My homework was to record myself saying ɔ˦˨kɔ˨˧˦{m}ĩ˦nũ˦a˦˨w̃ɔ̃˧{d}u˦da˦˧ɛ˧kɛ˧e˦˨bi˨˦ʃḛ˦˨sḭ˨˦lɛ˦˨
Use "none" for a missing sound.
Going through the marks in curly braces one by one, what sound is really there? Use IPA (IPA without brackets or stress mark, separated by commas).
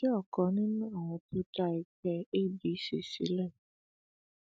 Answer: n, t